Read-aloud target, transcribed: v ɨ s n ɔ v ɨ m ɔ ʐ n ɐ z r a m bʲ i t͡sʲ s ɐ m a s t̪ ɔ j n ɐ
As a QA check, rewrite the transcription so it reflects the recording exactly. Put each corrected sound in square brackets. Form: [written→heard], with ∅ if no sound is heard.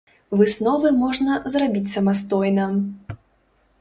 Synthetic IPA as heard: v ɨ s n ɔ v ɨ m ɔ ʐ n ɐ z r a [m→∅] bʲ i t͡sʲ s ɐ m a s t̪ ɔ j n ɐ